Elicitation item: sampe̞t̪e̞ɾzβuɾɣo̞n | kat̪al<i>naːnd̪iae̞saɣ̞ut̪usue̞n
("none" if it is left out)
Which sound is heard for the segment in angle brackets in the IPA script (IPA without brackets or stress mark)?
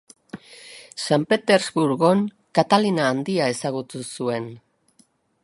i